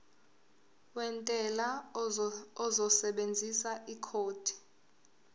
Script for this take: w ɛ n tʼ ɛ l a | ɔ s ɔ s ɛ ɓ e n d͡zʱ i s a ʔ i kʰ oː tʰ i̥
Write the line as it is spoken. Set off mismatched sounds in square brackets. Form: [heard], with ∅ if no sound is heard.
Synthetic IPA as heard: w ɛ n tʼ ɛ l a | ɔ [z] ɔ s ɛ ɓ e n d͡zʱ i s a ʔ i kʰ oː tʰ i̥